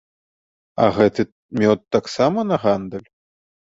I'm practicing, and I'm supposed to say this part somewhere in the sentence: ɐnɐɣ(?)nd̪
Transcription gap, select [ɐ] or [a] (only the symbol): a